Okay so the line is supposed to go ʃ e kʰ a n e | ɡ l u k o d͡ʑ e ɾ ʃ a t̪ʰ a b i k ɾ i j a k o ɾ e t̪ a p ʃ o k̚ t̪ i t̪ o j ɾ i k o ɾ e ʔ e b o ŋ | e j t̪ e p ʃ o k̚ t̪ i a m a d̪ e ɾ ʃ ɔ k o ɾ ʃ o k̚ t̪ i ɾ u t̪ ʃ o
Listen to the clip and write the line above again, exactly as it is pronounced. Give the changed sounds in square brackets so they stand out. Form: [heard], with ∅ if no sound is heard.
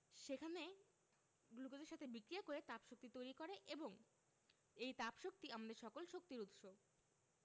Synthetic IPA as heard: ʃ e kʰ a n e | ɡ l u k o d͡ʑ e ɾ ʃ a t̪ʰ [e] b i k ɾ i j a k o ɾ e t̪ a p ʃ o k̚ t̪ i t̪ o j ɾ i k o ɾ e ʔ e b o ŋ | e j t̪ [a] p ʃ o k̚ t̪ i a m a d̪ e ɾ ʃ ɔ k o [l] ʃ o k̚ t̪ i ɾ u t̪ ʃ o

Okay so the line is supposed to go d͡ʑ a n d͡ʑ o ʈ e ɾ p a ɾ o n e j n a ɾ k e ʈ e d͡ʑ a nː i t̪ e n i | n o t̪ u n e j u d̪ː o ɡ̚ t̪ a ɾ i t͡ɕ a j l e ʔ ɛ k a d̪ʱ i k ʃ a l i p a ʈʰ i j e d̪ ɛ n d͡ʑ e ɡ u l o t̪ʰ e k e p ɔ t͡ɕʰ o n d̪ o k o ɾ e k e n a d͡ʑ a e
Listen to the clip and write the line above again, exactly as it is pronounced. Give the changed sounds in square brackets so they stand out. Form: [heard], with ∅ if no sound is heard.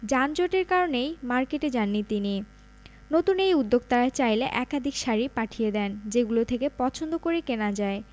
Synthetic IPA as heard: d͡ʑ a n d͡ʑ o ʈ e ɾ [k] a ɾ o n e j [m] a ɾ k e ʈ e d͡ʑ a nː i t̪ [i] n i | n o t̪ u n e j u d̪ː o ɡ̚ t̪ a ɾ [a] t͡ɕ a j l e ʔ ɛ k a d̪ʱ i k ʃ a [ɾ] i p a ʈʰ i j e d̪ ɛ n d͡ʑ e ɡ u l o t̪ʰ e k e p ɔ t͡ɕʰ o n d̪ o k o ɾ e k e n a d͡ʑ a e

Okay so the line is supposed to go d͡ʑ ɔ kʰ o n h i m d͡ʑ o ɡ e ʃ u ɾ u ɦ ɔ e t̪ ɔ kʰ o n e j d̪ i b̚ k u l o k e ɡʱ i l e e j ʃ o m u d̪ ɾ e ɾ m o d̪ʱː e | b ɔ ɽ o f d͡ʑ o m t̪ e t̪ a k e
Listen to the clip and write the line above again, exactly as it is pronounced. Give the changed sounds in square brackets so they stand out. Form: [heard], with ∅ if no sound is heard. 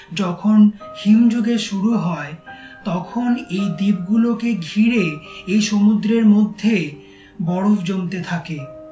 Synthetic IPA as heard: d͡ʑ ɔ kʰ o n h i m d͡ʑ o ɡ e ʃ u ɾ u ɦ ɔ e t̪ ɔ kʰ o n e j d̪ i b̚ [ɡ] u l o k e ɡʱ i [ɾ] e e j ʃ o m u d̪ ɾ e ɾ m o d̪ʱː e | b ɔ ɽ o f d͡ʑ o m t̪ e [t̪ʰ] a k e

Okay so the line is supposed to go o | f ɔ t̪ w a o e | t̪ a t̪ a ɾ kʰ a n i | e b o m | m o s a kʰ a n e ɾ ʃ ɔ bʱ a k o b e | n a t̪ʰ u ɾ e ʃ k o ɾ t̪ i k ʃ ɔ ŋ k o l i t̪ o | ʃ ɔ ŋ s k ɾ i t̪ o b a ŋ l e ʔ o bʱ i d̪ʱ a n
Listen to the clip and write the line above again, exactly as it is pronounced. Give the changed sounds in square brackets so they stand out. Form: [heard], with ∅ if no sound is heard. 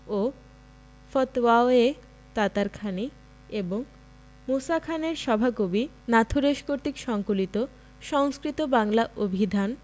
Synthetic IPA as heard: o | f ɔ t̪ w a o e | t̪ a t̪ a ɾ kʰ a n i | e b o [ŋ] | m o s a kʰ a n e ɾ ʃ ɔ bʱ a k o b [i] | n a t̪ʰ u ɾ e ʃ k o ɾ t̪ i k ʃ ɔ ŋ k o l i t̪ o | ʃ ɔ ŋ s k ɾ i t̪ o b a ŋ l [a] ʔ o bʱ i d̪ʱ a n

